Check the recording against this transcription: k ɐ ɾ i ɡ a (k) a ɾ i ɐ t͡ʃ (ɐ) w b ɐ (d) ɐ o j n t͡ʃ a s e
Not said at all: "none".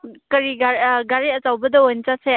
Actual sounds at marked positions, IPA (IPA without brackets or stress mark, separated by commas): ɡ, a, d